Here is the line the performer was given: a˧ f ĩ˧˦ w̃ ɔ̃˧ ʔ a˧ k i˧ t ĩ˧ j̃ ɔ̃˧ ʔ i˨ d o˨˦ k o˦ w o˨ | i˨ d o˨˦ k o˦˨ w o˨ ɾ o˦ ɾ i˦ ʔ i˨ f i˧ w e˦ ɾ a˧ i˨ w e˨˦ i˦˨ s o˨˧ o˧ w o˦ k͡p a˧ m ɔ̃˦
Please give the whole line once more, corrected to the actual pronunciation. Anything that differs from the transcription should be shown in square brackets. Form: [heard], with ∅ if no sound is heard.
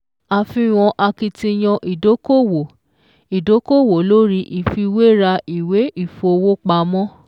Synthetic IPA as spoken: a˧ f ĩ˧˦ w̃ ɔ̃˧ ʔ a˧ k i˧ t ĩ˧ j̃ ɔ̃˧ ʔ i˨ d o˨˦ k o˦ w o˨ | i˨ d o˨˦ k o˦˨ w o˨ [l] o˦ ɾ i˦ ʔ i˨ f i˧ w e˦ ɾ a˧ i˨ w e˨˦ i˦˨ [f] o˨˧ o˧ w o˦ k͡p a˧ m ɔ̃˦

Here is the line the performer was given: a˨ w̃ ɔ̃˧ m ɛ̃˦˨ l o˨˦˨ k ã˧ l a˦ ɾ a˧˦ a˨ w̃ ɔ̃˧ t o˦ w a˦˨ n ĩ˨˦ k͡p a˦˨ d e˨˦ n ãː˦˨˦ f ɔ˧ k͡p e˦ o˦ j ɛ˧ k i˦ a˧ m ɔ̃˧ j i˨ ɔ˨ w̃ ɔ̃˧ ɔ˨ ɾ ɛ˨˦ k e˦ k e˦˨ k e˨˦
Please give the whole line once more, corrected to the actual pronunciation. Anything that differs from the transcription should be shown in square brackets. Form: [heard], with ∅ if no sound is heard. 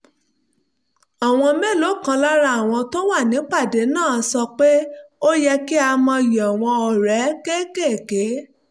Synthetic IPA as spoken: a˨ w̃ ɔ̃˧ m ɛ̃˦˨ l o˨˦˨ k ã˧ l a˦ ɾ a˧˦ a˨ w̃ ɔ̃˧ t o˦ w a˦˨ n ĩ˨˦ k͡p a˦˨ d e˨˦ n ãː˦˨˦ [s] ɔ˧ k͡p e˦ o˦ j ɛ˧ k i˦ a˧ m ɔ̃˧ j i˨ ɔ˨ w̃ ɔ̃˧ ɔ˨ ɾ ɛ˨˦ k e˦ k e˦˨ k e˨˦

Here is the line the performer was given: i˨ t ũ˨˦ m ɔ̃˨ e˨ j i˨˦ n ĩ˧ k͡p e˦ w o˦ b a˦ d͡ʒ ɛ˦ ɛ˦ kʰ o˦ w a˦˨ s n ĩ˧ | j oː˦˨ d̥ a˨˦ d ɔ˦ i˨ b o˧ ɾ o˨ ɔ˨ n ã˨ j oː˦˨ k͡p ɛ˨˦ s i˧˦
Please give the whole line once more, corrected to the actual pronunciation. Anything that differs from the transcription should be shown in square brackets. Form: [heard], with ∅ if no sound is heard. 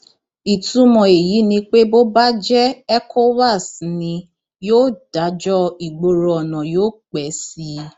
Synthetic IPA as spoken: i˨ t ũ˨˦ m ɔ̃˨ e˨ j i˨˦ n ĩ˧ k͡p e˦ [b] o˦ b a˦ d͡ʒ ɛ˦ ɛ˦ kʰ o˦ w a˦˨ s n ĩ˧ | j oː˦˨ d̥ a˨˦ [d͡ʒ] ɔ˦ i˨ [ɡ͡b] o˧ ɾ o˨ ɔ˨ n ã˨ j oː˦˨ k͡p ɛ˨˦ s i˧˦

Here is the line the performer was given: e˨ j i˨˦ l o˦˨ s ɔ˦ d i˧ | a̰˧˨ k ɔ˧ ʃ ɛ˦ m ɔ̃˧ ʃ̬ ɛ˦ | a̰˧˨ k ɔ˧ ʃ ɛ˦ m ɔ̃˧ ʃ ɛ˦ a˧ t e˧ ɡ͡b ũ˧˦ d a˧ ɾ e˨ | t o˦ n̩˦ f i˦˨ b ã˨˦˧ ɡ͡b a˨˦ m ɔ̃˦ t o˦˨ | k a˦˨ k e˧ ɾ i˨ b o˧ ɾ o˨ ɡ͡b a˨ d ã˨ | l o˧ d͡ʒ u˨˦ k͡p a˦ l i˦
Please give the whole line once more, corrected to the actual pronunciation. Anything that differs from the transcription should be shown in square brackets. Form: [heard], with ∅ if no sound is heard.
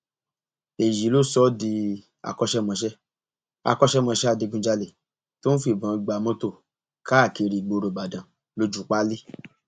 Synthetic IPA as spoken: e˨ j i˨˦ l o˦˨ s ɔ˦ d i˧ | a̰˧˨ k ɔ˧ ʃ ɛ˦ m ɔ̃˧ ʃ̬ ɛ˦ | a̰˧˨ k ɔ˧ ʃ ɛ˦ m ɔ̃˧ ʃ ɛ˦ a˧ [d] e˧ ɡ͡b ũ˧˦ [d͡ʒ] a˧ [l] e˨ | t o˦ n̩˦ f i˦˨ b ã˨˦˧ ɡ͡b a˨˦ m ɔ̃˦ t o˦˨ | k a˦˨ k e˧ ɾ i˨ [ɡ͡b] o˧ ɾ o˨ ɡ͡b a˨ d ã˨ | l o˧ d͡ʒ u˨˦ k͡p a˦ l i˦

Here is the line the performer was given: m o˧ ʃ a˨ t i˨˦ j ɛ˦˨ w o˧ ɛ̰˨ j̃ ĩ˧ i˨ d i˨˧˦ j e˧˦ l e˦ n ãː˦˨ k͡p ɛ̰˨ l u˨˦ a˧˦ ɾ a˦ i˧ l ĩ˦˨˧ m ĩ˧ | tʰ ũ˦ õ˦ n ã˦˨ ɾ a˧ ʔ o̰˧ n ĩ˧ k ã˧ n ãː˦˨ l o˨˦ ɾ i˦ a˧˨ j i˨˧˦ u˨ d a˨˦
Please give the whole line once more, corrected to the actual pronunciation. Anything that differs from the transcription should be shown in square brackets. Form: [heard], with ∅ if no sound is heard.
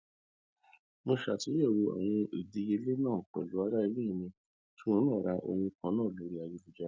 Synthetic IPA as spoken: m o˧ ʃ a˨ t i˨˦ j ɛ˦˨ w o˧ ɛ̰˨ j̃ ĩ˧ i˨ d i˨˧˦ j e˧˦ l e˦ n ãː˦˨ k͡p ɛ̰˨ l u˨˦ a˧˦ ɾ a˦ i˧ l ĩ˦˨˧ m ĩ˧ | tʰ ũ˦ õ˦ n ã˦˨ ɾ a˧ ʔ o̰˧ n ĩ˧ k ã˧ n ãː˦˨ l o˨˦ ɾ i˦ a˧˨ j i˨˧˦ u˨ [d͡ʒ] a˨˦

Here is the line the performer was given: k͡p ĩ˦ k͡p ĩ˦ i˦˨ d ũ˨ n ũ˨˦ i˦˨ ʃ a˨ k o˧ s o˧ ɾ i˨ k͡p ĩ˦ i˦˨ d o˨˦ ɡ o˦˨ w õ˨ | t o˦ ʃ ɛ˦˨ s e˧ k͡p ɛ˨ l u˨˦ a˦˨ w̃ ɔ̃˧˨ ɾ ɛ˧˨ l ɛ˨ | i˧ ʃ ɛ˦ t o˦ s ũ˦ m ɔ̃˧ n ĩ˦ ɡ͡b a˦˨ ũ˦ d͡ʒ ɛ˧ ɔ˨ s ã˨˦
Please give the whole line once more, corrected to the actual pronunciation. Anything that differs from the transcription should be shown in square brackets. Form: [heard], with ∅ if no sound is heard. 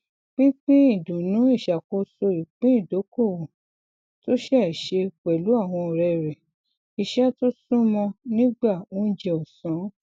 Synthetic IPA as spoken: k͡p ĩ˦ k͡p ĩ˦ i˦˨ d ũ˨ n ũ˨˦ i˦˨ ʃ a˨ k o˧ s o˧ ɾ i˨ k͡p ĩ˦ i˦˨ d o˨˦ [k] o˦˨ w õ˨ | t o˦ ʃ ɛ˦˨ [ʃ] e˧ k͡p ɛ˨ l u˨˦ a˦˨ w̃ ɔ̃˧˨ ɾ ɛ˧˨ [ɾ] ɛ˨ | i˧ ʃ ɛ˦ t o˦ s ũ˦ m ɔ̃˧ n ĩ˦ ɡ͡b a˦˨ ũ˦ d͡ʒ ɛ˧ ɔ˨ s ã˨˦

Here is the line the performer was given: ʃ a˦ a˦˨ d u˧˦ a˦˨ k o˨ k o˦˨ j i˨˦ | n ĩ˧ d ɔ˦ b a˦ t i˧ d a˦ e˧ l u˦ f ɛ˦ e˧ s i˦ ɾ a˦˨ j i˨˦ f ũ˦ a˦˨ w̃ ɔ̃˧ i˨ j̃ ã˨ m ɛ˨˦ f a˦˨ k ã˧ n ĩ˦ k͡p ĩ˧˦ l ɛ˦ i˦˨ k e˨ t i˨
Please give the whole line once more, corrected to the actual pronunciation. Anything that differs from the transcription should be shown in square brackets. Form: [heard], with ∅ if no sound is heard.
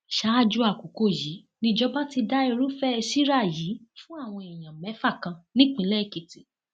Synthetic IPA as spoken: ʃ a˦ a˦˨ [d͡ʒ] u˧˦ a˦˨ k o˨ k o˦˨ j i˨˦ | n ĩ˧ [d͡ʒ] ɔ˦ b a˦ t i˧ d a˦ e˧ [ɾ] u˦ f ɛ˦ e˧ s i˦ ɾ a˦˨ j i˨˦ f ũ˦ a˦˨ w̃ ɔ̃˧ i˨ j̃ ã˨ m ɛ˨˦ f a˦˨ k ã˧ n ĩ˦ k͡p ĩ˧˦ l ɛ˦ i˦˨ k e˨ t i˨

